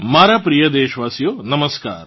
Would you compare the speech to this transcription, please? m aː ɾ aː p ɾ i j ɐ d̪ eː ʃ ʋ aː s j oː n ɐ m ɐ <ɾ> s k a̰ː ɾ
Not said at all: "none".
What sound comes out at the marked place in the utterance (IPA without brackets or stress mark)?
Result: none